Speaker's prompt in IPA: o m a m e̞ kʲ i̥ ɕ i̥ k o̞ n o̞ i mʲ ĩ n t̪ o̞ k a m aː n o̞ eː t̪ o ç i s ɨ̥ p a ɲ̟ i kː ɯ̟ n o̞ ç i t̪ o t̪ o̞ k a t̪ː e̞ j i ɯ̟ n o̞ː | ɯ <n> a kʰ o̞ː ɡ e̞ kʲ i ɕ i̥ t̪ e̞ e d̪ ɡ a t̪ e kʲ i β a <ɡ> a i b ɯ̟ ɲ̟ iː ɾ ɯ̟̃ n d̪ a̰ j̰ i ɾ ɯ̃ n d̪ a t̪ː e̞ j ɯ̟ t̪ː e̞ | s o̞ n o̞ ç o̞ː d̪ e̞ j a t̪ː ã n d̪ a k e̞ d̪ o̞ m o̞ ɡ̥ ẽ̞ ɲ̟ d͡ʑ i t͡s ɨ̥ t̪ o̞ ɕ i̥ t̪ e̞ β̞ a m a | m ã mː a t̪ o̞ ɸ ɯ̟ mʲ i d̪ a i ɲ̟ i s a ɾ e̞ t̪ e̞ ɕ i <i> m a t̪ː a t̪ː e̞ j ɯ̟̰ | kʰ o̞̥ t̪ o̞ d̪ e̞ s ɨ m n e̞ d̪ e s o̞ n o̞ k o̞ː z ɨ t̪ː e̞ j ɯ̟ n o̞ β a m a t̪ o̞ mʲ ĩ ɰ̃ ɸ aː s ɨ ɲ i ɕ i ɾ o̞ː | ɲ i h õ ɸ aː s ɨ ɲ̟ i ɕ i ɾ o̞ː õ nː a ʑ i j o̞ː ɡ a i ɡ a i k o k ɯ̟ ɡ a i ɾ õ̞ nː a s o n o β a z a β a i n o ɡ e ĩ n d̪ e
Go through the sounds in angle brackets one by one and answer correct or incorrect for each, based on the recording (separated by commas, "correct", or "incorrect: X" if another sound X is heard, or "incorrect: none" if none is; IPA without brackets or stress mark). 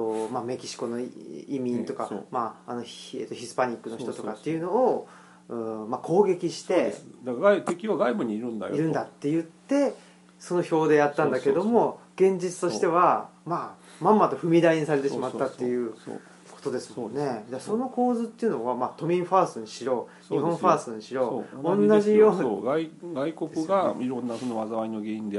incorrect: m, correct, correct